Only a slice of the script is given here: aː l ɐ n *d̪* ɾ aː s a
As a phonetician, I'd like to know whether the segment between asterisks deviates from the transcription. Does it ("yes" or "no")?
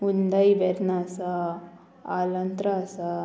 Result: yes